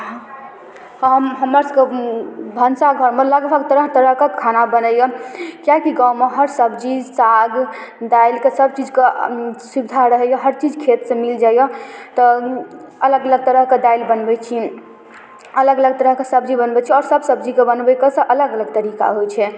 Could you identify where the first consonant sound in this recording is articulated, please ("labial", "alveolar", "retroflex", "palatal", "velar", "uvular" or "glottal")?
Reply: glottal